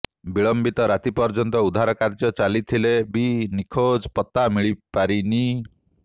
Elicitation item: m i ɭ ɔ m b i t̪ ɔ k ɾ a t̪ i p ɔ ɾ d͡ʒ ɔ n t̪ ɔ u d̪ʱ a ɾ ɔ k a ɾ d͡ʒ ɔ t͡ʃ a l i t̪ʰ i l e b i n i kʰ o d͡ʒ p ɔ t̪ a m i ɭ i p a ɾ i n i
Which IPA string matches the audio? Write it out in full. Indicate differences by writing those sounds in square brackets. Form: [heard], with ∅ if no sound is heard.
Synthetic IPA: [b] i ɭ ɔ m b i t̪ ɔ [∅] ɾ a t̪ i p ɔ ɾ d͡ʒ ɔ n t̪ ɔ u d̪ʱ a ɾ ɔ k a ɾ d͡ʒ ɔ t͡ʃ a l i t̪ʰ i l e b i n i kʰ o d͡ʒ p ɔ t̪ a m i ɭ i p a ɾ i n i